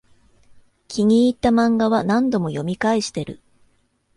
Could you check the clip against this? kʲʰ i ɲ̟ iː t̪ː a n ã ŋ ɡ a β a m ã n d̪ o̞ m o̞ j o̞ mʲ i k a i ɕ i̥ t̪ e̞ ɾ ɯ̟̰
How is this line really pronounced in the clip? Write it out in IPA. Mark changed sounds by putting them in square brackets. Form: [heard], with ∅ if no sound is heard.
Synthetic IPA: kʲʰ i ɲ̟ iː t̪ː a [m] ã ŋ ɡ a β a [n] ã n d̪ o̞ m o̞ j o̞ mʲ i k a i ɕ i̥ t̪ e̞ ɾ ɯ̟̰